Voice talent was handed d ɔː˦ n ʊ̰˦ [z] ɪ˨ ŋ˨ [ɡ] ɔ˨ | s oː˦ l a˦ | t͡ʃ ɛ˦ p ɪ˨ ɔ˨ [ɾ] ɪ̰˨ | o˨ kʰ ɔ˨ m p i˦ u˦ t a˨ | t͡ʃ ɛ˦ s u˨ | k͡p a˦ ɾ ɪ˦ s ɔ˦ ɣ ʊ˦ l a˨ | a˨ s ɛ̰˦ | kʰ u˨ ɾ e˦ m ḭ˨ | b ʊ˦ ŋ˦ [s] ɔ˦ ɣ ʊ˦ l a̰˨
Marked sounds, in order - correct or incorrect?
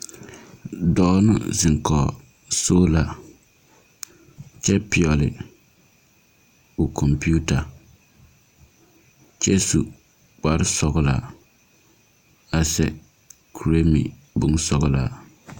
correct, incorrect, incorrect, correct

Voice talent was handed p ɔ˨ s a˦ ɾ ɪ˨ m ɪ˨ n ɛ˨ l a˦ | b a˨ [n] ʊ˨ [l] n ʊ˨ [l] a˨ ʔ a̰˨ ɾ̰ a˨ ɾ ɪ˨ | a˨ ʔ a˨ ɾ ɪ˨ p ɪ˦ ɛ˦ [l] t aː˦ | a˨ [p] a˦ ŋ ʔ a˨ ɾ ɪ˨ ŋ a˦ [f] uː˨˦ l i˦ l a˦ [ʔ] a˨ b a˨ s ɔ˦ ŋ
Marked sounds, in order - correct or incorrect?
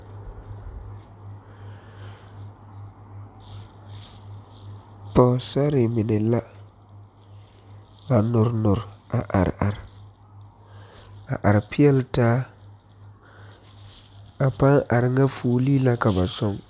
correct, incorrect, incorrect, correct, correct, correct, incorrect

